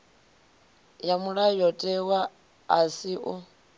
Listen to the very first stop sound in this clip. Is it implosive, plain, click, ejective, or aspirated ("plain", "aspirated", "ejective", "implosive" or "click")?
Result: ejective